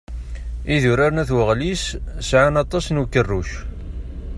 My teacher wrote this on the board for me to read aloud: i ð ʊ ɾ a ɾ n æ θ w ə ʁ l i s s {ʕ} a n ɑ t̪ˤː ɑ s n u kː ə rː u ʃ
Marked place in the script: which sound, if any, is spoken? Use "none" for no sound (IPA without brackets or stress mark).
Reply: ʕ